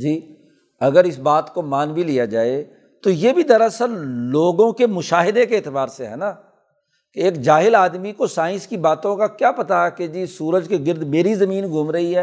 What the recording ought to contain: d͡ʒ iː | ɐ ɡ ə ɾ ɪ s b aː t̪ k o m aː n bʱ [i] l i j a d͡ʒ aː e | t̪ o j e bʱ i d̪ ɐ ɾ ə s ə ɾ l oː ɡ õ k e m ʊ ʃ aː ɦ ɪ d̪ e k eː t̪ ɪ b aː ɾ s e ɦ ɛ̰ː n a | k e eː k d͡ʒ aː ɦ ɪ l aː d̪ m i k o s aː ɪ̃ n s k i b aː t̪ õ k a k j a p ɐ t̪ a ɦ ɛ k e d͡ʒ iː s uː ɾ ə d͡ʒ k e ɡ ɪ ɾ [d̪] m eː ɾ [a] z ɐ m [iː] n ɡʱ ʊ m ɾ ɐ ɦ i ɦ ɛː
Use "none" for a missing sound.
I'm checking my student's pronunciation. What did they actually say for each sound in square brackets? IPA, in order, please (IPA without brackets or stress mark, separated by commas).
i, d̪, i, iː